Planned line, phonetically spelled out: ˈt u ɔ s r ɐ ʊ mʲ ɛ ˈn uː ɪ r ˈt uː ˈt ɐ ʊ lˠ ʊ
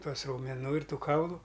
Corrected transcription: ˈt u ɔ s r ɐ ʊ mʲ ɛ ˈn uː ɪ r ˈt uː ˈk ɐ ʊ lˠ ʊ